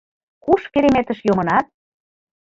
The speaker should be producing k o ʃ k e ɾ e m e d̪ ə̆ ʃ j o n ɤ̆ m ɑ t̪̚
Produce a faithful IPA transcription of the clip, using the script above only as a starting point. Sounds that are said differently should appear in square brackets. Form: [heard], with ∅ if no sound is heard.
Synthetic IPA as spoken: k [u] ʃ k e ɾ e m e [t̪] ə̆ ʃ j o [m] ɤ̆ [n] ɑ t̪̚